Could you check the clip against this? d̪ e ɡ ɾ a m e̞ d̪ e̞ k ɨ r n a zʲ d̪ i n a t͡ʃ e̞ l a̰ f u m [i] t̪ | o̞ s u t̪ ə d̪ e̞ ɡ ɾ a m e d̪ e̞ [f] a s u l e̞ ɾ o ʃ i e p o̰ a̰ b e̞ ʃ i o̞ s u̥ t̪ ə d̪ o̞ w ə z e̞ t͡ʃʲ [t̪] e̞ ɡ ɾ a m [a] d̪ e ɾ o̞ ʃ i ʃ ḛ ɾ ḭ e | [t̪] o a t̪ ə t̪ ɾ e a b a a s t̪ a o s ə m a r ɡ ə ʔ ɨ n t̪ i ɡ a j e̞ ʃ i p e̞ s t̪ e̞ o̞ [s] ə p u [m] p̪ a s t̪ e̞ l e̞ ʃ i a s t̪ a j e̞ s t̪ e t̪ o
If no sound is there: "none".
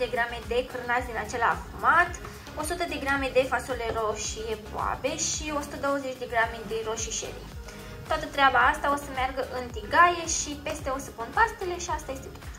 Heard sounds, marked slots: a, f, d̪, e, t̪, s, n

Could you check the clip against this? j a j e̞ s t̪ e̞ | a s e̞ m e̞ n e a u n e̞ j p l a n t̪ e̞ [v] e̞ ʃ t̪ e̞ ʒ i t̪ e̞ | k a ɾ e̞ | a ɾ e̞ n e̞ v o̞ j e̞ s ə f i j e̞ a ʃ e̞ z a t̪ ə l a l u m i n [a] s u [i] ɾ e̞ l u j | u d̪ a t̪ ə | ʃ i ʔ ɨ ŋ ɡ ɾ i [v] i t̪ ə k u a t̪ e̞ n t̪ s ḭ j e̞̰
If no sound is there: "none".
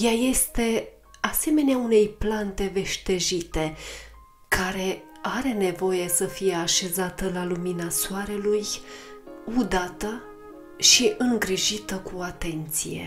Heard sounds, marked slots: v, a, a, ʒ

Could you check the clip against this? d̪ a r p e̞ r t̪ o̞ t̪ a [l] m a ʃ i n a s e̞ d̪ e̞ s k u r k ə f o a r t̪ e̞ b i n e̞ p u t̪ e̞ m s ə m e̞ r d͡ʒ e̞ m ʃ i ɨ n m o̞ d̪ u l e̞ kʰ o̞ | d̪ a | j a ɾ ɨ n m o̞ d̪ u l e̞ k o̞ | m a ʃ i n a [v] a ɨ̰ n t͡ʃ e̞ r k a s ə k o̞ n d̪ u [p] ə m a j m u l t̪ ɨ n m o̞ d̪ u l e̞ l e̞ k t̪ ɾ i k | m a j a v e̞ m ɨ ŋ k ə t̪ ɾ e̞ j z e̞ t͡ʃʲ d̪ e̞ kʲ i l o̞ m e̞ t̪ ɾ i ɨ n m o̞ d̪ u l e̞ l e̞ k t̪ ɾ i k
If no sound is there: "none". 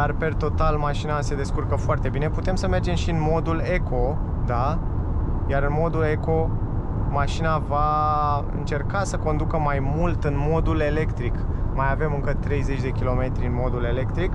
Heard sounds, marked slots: l, v, k

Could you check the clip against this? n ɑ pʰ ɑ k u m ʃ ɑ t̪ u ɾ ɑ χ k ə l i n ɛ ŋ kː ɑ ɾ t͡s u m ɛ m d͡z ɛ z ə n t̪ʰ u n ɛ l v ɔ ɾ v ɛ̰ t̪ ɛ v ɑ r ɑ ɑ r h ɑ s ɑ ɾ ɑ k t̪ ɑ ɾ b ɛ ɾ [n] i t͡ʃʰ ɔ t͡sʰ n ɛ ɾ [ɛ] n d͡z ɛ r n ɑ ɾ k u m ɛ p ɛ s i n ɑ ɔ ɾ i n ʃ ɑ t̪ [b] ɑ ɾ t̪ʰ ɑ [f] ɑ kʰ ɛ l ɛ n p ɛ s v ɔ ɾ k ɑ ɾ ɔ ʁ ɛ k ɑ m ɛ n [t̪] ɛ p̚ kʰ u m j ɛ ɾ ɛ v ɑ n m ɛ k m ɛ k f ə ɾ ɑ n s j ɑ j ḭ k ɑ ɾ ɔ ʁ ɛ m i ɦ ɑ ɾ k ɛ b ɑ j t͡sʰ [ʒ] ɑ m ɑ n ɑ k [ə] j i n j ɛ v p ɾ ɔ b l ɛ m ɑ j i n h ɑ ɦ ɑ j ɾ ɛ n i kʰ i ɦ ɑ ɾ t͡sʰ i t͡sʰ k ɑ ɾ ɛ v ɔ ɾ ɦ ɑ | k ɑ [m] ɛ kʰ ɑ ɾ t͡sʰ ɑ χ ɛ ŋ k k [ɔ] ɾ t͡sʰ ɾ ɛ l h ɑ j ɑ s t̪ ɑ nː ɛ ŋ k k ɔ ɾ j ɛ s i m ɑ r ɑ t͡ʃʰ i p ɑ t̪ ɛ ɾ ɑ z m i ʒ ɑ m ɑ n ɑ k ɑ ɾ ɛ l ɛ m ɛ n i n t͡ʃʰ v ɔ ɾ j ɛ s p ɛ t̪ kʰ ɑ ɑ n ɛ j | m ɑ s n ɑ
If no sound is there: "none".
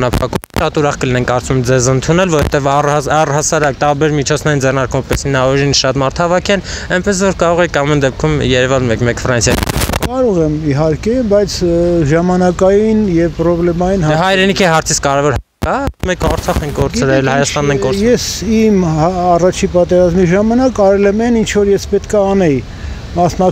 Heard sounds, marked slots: m, i, m, v, d̪, ʒ, ɑ, m, ɔ

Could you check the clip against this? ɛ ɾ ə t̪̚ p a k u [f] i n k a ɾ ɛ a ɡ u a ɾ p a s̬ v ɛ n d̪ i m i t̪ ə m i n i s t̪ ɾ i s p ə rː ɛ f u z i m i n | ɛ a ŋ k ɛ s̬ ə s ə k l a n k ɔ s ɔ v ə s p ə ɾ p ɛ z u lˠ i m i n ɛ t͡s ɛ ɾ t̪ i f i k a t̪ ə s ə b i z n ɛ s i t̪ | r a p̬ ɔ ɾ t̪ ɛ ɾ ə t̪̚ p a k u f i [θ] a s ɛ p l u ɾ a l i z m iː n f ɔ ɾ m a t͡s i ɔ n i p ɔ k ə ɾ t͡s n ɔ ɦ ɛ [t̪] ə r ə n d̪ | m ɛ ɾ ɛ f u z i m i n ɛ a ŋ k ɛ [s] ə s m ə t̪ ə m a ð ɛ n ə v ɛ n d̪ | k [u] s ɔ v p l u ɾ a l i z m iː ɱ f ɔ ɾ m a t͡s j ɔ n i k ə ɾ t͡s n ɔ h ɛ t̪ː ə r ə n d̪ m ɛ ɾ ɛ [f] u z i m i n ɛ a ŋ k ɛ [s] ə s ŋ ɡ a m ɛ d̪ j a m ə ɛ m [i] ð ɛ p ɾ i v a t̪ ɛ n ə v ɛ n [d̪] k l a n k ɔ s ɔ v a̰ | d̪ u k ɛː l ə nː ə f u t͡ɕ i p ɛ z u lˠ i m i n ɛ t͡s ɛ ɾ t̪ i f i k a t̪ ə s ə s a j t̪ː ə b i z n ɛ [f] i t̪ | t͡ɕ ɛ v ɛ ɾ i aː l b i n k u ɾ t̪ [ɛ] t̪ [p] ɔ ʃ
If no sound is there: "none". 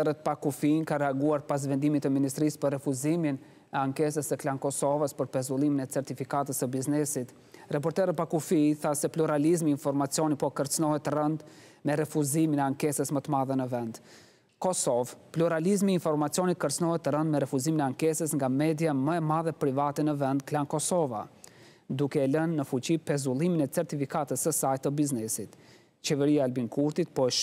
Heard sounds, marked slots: f, θ, t̪, s, ɔ, f, s, a, d̪, s, i, p

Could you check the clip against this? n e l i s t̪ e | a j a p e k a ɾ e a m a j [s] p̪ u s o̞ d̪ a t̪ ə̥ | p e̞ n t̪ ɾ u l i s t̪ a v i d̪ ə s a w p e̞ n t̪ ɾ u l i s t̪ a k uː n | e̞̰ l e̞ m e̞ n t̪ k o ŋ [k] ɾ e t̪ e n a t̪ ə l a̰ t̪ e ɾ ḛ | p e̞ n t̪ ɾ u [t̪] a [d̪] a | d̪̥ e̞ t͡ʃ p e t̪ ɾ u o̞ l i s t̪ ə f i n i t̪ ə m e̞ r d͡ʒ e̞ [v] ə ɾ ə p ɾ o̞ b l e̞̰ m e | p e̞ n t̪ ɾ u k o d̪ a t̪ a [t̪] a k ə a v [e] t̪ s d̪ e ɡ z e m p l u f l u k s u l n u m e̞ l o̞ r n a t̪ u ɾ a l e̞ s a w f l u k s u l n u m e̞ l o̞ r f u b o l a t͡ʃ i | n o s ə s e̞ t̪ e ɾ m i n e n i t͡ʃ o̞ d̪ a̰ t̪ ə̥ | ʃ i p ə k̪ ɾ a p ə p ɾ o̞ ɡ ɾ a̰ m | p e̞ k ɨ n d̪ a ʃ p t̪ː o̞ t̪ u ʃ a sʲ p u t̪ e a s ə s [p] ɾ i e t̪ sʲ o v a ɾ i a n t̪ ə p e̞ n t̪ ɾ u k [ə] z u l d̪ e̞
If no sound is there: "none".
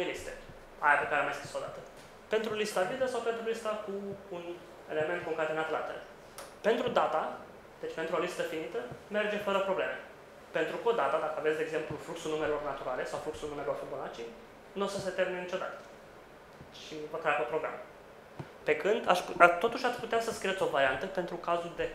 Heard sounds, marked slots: s, k, d̪, t̪, f, d̪, e, k, a

